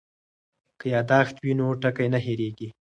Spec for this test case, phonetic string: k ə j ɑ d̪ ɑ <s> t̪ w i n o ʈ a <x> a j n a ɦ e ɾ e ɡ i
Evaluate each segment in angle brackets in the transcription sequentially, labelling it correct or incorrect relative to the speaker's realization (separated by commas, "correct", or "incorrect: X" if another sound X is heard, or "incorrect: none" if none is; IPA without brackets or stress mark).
incorrect: x, incorrect: k